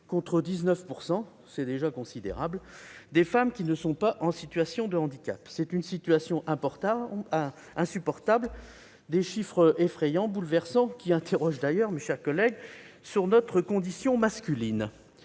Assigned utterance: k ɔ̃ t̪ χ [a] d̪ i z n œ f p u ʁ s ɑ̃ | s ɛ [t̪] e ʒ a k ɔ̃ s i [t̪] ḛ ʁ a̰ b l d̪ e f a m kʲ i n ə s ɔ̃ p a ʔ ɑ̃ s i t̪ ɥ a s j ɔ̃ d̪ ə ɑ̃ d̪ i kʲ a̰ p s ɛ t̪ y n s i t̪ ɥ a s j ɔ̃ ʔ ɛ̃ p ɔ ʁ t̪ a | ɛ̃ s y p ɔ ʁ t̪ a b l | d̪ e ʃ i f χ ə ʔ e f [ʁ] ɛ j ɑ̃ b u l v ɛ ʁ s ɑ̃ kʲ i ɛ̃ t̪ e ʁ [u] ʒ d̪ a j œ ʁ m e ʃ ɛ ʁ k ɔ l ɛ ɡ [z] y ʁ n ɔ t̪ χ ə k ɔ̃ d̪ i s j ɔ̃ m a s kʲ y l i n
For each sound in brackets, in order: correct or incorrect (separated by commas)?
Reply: incorrect, incorrect, incorrect, incorrect, incorrect, incorrect